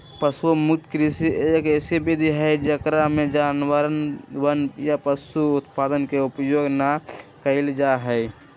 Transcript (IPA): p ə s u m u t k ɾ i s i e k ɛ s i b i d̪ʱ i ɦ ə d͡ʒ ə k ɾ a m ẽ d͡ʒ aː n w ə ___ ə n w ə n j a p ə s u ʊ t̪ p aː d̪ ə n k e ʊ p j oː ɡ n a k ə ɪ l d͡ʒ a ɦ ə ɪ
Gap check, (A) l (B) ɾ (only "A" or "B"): B